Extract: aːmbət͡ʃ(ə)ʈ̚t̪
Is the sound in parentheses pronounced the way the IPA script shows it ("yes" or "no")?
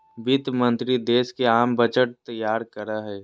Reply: yes